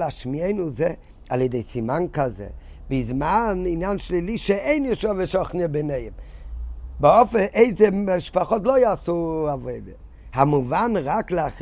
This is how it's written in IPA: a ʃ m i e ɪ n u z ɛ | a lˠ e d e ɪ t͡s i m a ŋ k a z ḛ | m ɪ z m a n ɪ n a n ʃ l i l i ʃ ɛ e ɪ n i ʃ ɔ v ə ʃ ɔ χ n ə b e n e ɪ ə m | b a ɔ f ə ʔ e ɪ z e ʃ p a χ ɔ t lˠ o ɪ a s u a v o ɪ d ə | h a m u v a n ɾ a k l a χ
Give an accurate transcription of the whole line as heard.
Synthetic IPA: a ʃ m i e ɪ n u z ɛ | a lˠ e d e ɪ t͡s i m a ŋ k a z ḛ | b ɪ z m a n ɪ n a n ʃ l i l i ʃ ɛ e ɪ n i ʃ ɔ v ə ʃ ɔ χ n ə b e n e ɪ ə m | b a ɔ f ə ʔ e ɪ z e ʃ p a χ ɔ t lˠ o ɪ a s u a v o ɪ d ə | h a m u v a n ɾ a k l a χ